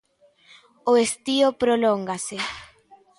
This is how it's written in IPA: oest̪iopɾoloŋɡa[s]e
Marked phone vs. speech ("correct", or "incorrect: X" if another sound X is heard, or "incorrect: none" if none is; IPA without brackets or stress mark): correct